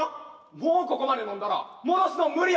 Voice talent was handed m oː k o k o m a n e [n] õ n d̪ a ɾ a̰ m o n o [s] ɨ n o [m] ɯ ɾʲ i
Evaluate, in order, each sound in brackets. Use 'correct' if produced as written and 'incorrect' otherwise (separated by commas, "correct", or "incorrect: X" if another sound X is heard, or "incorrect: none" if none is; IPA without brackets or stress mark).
correct, correct, correct